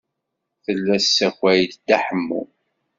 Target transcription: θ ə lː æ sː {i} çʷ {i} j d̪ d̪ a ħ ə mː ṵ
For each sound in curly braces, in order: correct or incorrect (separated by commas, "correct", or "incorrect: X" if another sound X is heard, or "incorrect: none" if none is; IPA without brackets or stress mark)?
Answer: incorrect: æ, incorrect: æ